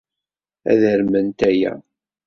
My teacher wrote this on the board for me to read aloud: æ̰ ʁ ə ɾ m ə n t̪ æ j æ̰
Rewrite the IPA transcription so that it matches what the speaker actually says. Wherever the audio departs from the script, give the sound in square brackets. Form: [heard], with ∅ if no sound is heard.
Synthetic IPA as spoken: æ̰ [ð] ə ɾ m ə n t̪ æ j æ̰